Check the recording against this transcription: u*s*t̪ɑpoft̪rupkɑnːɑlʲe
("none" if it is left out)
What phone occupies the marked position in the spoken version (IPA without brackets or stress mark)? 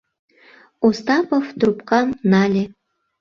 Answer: s